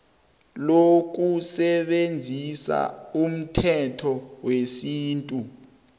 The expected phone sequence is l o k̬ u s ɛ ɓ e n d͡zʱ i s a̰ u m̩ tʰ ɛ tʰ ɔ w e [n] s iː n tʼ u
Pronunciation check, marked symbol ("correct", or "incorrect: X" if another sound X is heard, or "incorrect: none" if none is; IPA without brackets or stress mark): incorrect: none